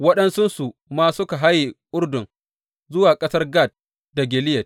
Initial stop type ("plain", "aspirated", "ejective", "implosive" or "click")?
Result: implosive